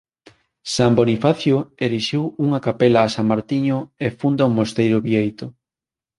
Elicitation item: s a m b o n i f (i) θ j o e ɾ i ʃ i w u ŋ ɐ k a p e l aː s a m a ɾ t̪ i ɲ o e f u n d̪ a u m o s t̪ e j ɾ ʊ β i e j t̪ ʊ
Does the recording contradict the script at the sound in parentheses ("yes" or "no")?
yes